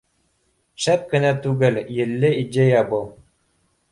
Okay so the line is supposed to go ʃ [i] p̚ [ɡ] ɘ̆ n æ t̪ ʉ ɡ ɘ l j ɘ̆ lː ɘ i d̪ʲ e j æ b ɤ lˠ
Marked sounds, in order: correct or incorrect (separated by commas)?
incorrect, incorrect